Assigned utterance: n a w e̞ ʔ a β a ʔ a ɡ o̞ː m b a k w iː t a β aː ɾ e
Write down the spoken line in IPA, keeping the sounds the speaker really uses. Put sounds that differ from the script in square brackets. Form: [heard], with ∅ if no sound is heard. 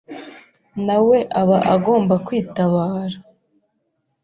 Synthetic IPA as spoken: n a w e̞ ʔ a β a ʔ a ɡ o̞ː m b a k w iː t a β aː ɾ [a]